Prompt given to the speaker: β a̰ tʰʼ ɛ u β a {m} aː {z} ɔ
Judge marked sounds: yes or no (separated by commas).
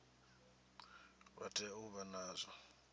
no, yes